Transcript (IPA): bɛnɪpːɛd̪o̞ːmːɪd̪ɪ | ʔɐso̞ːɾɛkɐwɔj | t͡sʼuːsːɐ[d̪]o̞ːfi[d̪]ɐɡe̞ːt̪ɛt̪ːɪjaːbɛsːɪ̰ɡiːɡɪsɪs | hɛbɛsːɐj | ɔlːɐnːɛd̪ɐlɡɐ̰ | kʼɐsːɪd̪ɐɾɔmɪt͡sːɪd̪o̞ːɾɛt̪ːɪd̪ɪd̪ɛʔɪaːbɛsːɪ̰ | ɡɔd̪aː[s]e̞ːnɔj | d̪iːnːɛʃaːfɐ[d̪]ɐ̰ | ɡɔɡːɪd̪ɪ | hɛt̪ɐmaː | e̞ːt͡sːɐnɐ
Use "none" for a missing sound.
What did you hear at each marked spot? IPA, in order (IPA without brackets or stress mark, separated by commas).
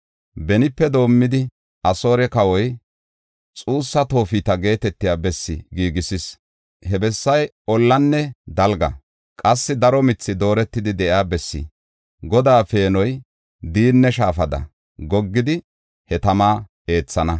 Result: t̪, t̪, f, d̪